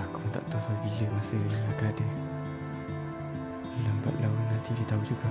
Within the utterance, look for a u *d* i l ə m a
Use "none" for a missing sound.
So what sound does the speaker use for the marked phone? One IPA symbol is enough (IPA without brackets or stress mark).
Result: b